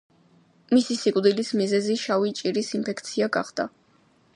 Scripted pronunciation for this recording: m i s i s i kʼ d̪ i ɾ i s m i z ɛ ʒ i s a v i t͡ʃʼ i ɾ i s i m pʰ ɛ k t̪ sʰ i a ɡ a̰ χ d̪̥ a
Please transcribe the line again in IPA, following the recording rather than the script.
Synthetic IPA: m i s i s i kʼ d̪ i l i s m i z ɛ z i ʃ a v i t͡ʃʼ i ɾ i s i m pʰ ɛ k t̪ sʰ i a ɡ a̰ χ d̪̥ a